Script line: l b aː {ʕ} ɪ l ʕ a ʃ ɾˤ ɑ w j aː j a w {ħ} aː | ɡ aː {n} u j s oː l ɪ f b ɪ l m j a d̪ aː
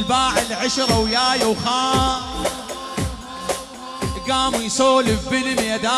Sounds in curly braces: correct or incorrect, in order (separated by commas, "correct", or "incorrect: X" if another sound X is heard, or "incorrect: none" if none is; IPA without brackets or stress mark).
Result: correct, incorrect: x, incorrect: m